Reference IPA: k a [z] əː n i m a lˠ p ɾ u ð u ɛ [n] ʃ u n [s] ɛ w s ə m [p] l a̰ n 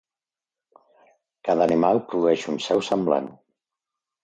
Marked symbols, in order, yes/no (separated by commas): no, no, yes, no